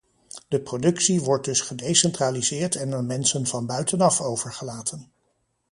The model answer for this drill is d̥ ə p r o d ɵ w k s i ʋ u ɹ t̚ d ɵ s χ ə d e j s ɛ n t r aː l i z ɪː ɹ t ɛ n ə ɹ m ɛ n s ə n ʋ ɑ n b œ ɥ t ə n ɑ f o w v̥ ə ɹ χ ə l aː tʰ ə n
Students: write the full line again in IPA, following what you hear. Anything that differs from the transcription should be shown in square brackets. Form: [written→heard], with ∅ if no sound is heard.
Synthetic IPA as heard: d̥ ə p r o d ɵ [w→∅] k s i ʋ [u→ɔ] ɹ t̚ d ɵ s χ ə d e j s ɛ n t r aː l i z ɪː ɹ t ɛ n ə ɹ m ɛ n s ə n [ʋ→v] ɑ n b œ ɥ t ə n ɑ f o w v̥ ə ɹ χ ə l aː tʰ ə n